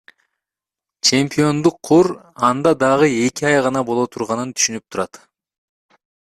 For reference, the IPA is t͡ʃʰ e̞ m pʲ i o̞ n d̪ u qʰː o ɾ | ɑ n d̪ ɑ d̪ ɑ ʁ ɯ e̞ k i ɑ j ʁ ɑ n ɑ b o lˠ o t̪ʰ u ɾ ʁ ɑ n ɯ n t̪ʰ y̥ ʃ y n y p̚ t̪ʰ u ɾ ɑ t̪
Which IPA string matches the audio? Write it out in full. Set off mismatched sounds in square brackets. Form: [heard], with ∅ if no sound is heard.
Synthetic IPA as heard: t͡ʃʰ e̞ m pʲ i o̞ n d̪ u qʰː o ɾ | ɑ n d̪ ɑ d̪ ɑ ʁ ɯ e̞ k i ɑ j ʁ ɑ n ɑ b o lˠ o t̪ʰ u ɾ ʁ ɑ n ɯ n t̪ʰ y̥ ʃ y n y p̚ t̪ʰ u ɾ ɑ t̪